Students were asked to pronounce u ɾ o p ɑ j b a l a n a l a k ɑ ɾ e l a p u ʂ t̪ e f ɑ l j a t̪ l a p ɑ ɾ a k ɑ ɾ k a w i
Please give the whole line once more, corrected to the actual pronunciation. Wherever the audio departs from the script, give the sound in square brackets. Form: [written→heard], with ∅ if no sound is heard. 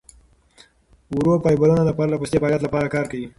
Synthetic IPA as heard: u ɾ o p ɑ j b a l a n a l a [k→p] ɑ ɾ [e→a] l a p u [ʂ→s] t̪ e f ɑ l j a t̪ l a p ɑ ɾ a k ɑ ɾ k a w i

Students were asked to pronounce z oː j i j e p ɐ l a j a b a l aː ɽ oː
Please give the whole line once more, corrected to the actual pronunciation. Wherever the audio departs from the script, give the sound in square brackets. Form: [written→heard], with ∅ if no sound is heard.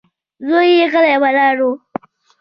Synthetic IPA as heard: z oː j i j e [p→k] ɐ l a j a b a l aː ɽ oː

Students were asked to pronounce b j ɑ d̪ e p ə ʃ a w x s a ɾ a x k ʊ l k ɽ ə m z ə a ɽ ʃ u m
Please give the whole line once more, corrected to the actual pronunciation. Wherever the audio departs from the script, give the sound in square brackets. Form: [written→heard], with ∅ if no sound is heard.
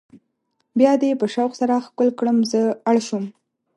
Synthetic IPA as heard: b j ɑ d̪ e p ə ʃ a w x s a ɾ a x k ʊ l k ɽ ə m z ə a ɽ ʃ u m

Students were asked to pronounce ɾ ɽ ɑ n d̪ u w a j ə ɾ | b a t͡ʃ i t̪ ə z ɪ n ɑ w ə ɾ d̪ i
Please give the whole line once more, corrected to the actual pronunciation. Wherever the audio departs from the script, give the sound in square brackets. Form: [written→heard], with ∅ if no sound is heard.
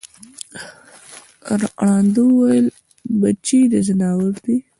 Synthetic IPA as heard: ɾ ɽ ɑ n d̪ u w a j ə [ɾ→l] | b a t͡ʃ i [t̪→d̪] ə z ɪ n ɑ w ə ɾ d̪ i

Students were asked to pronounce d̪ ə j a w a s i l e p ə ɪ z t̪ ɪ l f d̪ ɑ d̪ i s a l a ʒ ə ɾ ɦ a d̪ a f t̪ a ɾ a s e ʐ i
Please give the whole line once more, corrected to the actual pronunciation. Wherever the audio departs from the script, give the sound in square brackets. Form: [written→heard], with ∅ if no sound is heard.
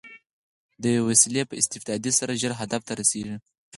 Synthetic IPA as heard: d̪ ə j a w a s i l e p ə ɪ [z→s] t̪ ɪ [l→∅] f d̪ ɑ d̪ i s a [l→ɾ] a ʒ ə ɾ ɦ a d̪ a f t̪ a ɾ a s e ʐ i

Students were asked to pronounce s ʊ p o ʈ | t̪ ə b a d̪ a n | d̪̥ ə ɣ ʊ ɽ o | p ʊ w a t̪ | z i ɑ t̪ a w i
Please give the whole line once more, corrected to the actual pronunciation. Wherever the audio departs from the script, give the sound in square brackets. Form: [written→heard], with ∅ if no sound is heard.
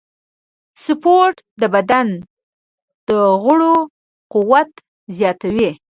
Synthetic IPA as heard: s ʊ p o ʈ | [t̪→d̪] ə b a d̪ a n | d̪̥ ə ɣ ʊ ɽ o | [p→q] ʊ w a t̪ | z [i→j] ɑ t̪ a w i

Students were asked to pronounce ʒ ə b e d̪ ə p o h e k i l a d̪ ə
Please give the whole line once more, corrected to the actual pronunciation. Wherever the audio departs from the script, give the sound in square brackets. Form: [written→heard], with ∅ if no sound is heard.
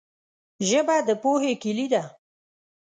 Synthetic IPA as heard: ʒ ə b [e→a] d̪ ə p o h e k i l [a→i] d̪ [ə→a]

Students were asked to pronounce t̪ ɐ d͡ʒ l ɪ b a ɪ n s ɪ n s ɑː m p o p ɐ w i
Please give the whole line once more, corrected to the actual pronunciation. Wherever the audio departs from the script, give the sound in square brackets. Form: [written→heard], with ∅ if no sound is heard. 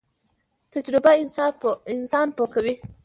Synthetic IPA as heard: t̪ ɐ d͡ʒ [l→ɾ] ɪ b a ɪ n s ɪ n s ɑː [m→n] p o [p→k] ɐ w i

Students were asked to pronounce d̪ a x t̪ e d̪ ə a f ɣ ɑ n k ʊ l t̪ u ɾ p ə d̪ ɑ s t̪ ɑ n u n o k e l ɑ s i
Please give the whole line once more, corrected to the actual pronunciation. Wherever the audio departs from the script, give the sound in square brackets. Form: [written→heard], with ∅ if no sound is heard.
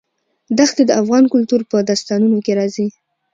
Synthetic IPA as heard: d̪ a x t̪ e d̪ ə a f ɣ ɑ n k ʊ l t̪ u ɾ p ə d̪ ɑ s t̪ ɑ n u n o k e [l→ɾ] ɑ [s→z] i

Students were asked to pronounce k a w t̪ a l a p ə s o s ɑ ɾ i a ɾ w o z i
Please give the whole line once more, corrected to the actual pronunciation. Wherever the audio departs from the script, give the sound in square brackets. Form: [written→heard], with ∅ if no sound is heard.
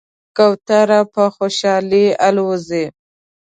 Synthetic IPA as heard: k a w t̪ a [l→ɾ] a p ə [s→x] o [s→ʃ] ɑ [ɾ→l] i a [ɾ→l] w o z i

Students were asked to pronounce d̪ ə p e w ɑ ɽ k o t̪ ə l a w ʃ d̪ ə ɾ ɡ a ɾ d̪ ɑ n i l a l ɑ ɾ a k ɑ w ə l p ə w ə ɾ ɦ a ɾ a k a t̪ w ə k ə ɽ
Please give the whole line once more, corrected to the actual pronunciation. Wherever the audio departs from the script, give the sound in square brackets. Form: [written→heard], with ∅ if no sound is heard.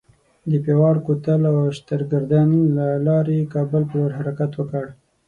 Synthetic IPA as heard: d̪ ə p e w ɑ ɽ k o t̪ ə l a w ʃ [d̪→t̪] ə ɾ ɡ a ɾ d̪ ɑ n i l a l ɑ ɾ [a→e] k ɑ [w→b] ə l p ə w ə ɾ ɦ a ɾ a k a t̪ w ə k ə ɽ

